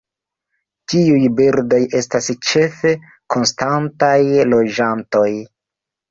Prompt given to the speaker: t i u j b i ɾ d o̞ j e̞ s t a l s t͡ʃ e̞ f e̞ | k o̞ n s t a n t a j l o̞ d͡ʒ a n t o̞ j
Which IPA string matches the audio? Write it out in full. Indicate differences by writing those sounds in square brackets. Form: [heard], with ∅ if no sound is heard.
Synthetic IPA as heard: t i u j b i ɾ d o̞ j e̞ s t a [∅] s t͡ʃ e̞ f e̞ | k o̞ n s t a n t a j l o̞ d͡ʒ a n t o̞ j